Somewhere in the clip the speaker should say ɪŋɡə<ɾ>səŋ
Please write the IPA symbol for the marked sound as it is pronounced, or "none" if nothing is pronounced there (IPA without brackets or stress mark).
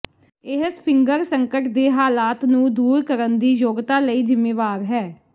ɾ